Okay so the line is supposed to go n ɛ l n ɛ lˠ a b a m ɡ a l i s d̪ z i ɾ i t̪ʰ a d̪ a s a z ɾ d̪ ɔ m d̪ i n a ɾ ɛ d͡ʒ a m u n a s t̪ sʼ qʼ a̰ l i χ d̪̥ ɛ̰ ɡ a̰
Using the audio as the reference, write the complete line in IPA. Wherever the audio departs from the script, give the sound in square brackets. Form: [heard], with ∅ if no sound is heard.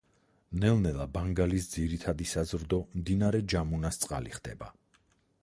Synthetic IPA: n ɛ l n ɛ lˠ a b a [ŋ] ɡ a l i s d̪ z i ɾ i t̪ʰ a d̪ [i] s a z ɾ d̪ ɔ m d̪ i n a ɾ ɛ d͡ʒ a m u n a s t̪ sʼ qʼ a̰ l i χ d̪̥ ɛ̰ [b] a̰